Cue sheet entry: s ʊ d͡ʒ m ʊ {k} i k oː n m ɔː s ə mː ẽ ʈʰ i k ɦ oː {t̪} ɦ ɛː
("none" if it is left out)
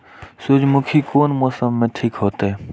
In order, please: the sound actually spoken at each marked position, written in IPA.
kʰ, t̪

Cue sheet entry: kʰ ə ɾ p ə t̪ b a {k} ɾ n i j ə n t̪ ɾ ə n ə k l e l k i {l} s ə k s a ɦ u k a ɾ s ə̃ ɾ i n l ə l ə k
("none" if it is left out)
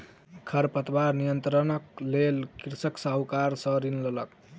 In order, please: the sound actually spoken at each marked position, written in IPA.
none, ɾ

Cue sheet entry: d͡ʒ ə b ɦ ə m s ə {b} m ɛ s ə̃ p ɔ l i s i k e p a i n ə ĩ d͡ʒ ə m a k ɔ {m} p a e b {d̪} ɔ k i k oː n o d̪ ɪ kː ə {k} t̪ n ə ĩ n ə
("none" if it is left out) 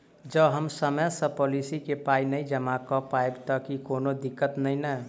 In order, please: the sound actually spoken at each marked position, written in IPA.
none, none, t̪, none

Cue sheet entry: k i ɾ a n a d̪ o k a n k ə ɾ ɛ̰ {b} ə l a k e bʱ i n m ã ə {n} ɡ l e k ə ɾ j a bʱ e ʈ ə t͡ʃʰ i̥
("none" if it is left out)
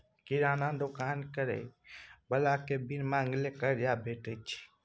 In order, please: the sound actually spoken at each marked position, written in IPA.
b, ŋ

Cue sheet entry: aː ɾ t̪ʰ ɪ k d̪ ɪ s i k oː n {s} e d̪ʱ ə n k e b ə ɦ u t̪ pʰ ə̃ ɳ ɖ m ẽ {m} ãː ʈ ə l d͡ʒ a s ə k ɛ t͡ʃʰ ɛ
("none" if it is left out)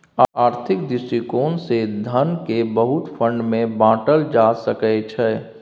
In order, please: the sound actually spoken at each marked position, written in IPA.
s, b

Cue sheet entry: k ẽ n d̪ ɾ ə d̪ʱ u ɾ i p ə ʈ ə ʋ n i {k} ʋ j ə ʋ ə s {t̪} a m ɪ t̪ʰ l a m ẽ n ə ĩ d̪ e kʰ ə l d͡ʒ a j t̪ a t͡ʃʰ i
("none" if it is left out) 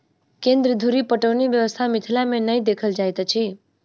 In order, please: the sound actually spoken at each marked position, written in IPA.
none, t̪ʰ

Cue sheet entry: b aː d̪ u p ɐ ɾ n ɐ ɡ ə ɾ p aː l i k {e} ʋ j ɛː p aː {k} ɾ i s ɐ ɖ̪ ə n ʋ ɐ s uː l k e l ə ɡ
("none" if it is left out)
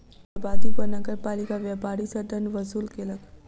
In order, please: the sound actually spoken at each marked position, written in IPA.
a, none

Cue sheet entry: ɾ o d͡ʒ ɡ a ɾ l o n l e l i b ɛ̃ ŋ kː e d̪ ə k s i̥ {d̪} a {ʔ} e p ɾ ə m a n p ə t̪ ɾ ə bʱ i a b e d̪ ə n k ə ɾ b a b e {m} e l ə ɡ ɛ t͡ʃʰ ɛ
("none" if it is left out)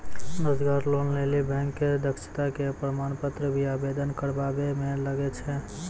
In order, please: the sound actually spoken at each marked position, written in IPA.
t̪, k, m

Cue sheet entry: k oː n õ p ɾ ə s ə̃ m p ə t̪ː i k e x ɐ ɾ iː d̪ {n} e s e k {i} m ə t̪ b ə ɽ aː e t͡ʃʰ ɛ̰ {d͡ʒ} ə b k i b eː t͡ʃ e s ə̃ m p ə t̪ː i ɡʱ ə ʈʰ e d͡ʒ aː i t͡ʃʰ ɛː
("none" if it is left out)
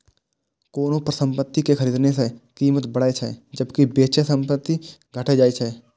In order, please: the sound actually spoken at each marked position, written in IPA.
n, iː, d͡ʒ

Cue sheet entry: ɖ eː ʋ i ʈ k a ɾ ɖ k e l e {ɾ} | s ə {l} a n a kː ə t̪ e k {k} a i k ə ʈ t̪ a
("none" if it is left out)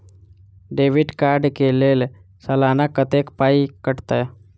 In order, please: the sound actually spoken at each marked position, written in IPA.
l, l, p

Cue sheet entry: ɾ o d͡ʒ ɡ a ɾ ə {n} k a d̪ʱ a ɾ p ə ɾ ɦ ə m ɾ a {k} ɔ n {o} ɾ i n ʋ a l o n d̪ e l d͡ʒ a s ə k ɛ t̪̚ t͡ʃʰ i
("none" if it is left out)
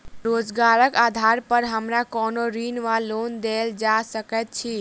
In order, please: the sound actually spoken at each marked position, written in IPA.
none, k, o

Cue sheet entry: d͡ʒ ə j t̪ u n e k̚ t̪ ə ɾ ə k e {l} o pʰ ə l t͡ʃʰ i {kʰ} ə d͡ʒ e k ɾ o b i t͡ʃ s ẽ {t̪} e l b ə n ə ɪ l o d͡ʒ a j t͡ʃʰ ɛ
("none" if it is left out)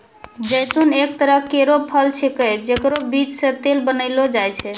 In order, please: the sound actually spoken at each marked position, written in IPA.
ɾ, k, t̪

